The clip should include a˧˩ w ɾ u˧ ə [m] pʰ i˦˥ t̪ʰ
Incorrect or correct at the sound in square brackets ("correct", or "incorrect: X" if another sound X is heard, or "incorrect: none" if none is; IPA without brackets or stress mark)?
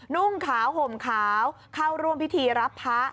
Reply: correct